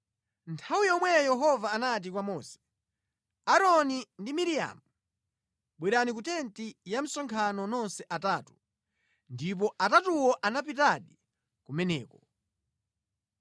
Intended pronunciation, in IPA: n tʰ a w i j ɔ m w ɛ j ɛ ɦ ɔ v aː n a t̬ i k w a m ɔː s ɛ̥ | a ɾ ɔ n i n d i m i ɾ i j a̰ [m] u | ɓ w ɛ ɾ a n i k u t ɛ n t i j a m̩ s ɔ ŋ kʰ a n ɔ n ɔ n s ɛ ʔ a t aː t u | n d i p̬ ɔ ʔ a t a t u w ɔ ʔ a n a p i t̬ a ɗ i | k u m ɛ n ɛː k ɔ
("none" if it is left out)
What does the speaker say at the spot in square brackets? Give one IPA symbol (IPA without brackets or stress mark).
m